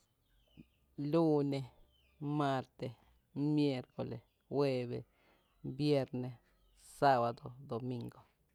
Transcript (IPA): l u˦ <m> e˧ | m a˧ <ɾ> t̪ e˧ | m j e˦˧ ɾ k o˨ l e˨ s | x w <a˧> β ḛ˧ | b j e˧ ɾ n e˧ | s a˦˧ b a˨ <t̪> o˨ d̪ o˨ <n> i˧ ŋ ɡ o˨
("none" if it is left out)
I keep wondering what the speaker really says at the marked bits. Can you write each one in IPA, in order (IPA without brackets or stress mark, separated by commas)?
n, ɾ, e˧, d̪, m